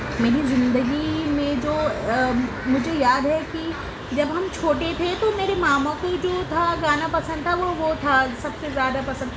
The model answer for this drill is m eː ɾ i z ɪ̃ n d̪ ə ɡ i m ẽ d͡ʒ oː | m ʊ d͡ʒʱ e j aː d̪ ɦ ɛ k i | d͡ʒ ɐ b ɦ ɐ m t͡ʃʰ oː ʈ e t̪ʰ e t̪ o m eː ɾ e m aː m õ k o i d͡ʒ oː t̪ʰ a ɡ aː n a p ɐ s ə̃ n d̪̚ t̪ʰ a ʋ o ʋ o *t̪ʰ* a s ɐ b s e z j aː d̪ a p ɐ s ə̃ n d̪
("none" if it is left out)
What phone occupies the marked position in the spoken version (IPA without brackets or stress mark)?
t̪ʰ